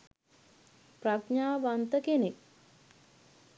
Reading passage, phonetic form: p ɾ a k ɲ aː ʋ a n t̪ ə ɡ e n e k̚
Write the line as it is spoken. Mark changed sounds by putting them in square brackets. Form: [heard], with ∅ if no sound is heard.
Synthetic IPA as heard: p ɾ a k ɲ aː ʋ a n t̪ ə [k] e n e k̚